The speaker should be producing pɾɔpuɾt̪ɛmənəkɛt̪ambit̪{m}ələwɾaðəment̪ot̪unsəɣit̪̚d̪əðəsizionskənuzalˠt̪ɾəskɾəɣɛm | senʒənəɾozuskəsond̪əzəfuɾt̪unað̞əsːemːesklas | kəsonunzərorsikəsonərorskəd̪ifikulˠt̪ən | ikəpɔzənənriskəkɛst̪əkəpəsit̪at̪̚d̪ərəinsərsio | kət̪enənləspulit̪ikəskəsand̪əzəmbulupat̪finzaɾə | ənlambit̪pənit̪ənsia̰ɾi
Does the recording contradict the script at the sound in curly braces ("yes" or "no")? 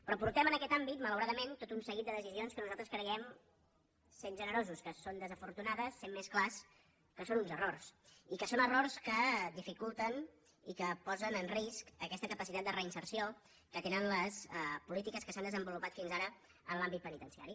no